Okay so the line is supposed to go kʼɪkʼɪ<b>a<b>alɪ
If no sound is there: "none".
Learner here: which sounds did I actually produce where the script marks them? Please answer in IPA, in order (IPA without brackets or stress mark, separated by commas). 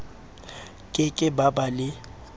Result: b, b